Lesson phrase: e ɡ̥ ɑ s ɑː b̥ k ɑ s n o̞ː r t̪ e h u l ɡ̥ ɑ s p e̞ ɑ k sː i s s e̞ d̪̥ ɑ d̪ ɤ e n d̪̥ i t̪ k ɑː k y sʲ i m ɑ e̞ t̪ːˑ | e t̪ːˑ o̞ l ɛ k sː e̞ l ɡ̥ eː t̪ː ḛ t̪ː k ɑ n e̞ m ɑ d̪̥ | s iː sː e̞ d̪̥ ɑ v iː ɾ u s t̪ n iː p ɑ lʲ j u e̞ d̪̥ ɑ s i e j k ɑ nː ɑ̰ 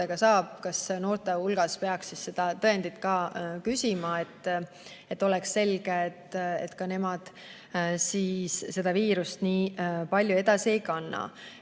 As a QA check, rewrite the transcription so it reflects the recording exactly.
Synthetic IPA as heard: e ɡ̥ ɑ s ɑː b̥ k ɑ s n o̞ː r t̪ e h u l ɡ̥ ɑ s p e̞ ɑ k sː i s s e̞ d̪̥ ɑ t̪ ɤ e n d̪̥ i t̪ k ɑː k y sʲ i m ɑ e̞ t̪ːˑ | e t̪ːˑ o̞ l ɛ k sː e̞ l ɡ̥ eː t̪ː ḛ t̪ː k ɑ n e̞ m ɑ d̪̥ | s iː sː e̞ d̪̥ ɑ v iː ɾ u s t̪ n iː p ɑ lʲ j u e̞ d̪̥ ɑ s i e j k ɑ nː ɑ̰